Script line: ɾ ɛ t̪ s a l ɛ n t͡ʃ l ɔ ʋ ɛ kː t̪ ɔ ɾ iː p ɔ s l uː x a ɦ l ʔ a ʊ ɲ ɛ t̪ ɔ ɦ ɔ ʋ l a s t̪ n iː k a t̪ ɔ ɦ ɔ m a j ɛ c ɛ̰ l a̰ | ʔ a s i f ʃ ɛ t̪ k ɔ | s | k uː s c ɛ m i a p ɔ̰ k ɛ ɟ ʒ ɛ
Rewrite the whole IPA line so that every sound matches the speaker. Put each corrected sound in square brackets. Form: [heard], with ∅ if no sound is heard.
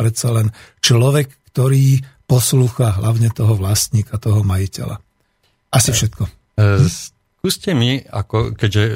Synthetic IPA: ɾ ɛ t̪ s a l ɛ n t͡ʃ l ɔ ʋ ɛ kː t̪ ɔ ɾ iː p ɔ s l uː x a ɦ l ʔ a ʊ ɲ ɛ t̪ ɔ ɦ ɔ ʋ l a s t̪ [ɲ] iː k a t̪ ɔ ɦ ɔ m a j [i] c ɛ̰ l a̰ | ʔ a s i f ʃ ɛ t̪ k ɔ | s | k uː s c ɛ m i a [k] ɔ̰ k ɛ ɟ ʒ ɛ